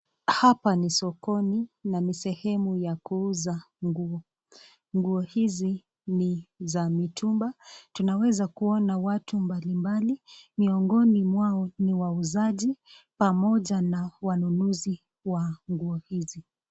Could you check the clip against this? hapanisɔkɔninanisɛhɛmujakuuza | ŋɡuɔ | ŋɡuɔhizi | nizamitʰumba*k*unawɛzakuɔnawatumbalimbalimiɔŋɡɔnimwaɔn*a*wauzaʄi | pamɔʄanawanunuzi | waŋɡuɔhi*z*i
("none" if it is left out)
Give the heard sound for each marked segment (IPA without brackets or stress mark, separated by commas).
t, i, z